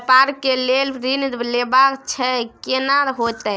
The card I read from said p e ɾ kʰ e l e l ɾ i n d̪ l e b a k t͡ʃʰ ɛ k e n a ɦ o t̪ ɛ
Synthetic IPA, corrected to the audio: p a ɾ k e l e l ɾ i n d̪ l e b a k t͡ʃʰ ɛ k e n a ɦ o t̪ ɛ